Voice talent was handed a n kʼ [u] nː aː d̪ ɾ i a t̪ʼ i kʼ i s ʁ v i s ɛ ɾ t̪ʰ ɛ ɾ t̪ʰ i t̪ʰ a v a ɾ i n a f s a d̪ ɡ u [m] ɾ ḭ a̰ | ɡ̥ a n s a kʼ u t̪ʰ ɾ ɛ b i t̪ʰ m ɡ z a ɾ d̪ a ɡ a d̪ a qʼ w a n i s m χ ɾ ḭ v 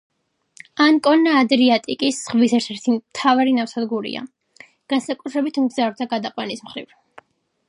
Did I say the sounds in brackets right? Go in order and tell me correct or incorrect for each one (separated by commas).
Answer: incorrect, incorrect